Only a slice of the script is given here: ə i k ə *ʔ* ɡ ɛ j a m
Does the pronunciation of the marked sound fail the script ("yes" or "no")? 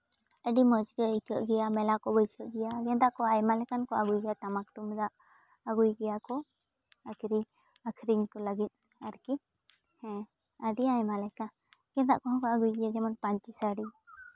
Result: no